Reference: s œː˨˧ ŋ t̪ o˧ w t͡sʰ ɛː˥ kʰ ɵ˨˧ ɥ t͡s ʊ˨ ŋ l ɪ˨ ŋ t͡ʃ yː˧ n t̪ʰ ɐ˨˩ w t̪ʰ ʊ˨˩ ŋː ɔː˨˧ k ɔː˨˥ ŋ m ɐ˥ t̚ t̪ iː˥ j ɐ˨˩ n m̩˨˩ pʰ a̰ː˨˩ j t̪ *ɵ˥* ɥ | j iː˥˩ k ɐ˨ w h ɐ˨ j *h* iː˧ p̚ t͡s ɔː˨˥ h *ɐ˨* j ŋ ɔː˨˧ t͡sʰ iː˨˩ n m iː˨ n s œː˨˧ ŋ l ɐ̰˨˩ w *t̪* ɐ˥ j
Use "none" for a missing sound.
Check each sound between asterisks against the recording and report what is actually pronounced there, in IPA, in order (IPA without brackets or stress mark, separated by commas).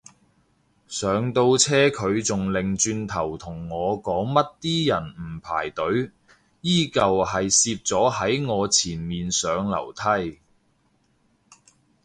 ɵ˨˥, s, ɐ˨˥, t̪ʰ